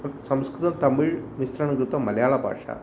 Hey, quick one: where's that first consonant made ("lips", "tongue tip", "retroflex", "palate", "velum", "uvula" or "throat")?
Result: tongue tip